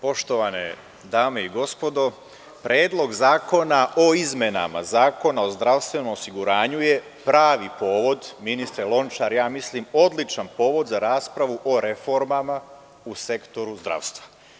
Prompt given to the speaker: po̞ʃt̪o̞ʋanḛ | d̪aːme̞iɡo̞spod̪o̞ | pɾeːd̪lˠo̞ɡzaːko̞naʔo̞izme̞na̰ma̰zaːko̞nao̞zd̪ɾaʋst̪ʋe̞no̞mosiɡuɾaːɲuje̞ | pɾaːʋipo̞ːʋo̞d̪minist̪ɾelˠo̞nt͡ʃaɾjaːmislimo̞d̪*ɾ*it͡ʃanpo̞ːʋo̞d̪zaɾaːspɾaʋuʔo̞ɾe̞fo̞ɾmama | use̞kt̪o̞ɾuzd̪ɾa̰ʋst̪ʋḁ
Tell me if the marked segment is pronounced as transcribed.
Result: no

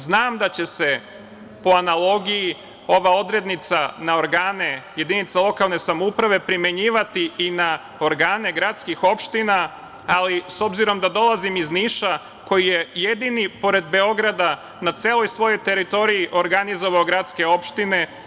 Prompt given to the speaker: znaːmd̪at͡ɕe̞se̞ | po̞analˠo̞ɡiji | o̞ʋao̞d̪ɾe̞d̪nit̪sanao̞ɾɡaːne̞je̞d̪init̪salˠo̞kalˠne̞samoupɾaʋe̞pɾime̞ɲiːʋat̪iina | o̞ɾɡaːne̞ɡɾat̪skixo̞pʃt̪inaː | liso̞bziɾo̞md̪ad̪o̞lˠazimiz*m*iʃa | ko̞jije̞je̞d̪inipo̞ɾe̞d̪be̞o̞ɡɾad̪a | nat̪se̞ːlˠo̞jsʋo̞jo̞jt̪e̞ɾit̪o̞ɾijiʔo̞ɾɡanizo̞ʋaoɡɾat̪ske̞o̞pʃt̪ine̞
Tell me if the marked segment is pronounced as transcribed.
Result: no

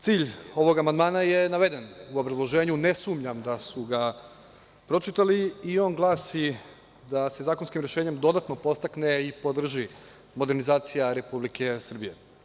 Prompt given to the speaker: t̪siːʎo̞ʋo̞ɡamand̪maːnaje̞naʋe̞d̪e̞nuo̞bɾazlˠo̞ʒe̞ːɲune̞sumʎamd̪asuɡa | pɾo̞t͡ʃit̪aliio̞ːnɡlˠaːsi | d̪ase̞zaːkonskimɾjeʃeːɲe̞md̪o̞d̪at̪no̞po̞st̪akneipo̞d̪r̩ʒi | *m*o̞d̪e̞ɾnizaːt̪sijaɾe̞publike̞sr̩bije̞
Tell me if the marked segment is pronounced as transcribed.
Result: yes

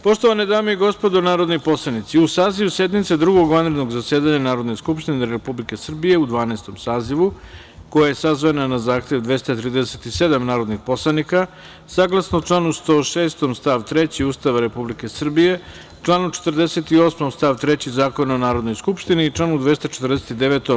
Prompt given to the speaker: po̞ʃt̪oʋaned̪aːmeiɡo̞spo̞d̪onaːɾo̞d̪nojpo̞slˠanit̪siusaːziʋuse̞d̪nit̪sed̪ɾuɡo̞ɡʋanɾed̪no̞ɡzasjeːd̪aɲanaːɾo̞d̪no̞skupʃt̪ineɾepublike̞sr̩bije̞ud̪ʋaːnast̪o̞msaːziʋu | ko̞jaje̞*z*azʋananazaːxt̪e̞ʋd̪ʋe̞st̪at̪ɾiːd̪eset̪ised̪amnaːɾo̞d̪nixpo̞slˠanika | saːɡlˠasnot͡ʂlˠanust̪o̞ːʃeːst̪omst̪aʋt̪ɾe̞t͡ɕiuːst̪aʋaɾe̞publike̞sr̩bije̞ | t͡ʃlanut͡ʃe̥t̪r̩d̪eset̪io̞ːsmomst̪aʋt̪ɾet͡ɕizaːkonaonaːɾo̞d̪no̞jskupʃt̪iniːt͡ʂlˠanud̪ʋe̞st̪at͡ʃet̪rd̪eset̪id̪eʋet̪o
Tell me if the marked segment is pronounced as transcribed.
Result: no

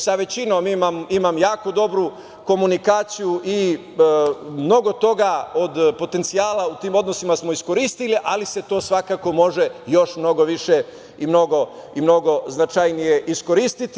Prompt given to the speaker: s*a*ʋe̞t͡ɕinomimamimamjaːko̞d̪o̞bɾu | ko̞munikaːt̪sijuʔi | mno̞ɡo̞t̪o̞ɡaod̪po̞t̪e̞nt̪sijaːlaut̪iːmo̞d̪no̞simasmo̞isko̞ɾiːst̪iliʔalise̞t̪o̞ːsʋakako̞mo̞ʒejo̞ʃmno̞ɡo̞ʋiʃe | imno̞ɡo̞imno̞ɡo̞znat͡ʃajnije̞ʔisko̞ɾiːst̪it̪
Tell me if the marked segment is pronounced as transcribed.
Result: yes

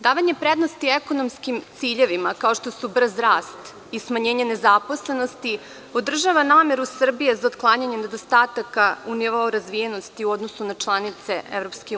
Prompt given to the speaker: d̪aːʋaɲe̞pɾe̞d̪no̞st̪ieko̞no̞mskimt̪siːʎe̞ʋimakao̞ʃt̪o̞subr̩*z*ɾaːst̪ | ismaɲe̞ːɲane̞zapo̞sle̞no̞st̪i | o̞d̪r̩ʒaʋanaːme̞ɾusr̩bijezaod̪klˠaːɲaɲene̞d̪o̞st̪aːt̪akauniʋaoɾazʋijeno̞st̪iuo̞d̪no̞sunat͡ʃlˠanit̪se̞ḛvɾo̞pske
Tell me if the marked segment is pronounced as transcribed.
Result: yes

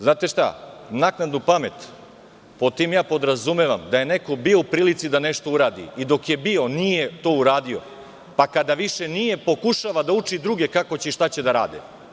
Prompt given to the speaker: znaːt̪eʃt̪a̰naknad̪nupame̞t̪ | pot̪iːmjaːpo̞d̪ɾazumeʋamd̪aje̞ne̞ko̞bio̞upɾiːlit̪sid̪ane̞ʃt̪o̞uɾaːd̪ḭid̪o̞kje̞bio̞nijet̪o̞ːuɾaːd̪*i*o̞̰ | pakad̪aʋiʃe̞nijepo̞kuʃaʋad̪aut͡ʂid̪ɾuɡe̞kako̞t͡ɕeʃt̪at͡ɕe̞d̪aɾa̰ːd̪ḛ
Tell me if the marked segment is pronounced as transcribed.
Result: yes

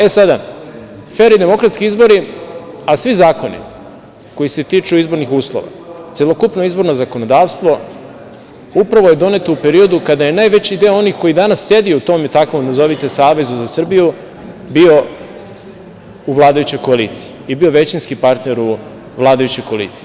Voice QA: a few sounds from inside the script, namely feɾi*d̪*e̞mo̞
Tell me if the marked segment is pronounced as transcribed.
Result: yes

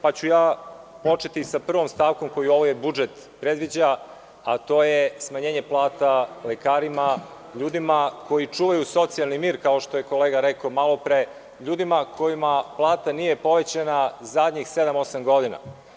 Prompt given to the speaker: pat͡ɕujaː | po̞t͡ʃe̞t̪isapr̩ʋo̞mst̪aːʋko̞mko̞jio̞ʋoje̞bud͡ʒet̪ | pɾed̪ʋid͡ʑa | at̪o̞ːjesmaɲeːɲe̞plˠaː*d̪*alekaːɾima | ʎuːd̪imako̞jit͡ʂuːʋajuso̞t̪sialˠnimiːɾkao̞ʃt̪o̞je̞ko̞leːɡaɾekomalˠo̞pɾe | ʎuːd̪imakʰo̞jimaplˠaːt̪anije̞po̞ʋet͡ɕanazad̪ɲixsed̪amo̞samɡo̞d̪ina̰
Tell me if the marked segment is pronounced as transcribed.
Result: no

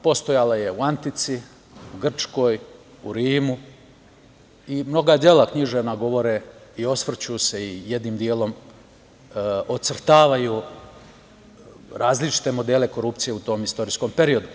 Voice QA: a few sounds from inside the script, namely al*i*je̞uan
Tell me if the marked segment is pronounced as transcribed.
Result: no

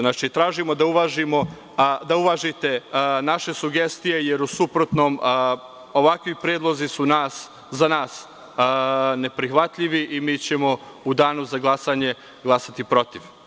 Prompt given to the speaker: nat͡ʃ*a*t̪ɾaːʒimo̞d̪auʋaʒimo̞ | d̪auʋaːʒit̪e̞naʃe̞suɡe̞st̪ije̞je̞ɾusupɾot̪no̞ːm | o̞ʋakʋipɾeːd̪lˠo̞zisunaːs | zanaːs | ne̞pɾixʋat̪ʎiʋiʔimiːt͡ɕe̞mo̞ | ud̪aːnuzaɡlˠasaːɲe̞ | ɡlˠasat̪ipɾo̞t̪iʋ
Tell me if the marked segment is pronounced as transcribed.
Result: no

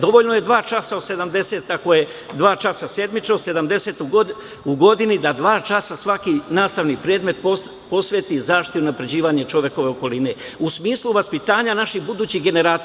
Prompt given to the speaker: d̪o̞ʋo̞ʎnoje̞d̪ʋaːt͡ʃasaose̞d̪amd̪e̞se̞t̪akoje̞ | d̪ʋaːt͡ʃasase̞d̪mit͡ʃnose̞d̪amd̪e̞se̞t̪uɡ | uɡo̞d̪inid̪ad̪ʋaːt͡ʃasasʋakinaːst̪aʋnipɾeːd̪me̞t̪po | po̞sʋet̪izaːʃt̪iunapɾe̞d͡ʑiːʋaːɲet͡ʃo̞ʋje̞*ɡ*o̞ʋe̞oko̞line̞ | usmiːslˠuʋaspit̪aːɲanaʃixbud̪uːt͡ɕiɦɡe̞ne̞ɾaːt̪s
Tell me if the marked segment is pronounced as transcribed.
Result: no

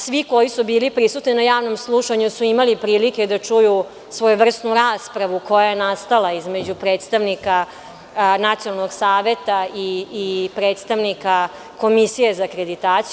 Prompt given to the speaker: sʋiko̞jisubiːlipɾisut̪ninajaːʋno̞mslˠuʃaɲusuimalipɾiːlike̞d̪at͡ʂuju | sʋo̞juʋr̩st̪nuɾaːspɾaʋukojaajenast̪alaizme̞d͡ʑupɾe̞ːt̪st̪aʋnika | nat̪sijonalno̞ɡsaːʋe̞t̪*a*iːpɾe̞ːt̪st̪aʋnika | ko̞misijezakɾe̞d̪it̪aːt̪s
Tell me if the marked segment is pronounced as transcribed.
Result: yes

